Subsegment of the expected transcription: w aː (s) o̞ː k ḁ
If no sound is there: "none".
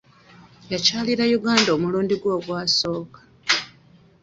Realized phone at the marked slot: s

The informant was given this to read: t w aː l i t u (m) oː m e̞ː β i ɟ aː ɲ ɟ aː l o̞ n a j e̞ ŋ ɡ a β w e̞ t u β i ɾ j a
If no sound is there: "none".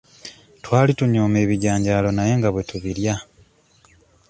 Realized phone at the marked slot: ɲ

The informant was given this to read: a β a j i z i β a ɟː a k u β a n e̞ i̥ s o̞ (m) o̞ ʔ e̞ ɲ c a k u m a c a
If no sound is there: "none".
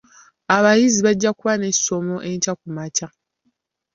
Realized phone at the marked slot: m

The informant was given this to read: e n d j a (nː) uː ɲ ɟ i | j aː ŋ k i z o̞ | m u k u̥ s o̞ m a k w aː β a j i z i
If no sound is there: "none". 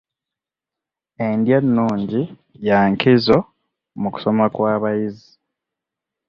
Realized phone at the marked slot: nː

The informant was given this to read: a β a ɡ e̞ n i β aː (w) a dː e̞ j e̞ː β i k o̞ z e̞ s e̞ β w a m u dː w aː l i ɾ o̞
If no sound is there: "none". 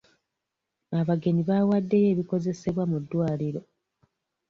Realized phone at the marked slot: w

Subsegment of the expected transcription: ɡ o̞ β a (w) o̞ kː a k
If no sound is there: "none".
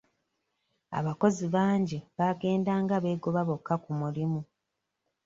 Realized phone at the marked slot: β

